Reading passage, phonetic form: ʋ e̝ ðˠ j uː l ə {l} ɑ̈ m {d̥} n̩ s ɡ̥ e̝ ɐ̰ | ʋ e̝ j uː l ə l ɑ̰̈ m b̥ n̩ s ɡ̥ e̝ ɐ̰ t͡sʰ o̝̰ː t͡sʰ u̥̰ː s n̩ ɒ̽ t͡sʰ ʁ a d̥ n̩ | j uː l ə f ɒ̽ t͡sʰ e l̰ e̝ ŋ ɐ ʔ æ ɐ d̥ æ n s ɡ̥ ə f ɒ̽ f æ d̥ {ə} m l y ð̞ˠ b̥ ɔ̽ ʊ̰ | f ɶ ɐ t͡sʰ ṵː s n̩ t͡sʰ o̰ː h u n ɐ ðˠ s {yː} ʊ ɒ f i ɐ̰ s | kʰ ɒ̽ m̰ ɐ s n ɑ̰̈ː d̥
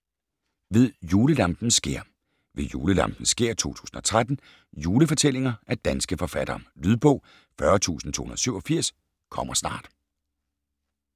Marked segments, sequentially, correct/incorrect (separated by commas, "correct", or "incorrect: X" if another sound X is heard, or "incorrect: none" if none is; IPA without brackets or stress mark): correct, incorrect: b̥, incorrect: ɐ, incorrect: y